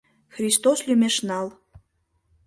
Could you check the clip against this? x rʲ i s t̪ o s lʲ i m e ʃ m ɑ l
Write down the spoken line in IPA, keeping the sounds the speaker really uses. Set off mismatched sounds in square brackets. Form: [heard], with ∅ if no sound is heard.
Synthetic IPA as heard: x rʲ i s t̪ o s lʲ [y] m e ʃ [n] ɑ l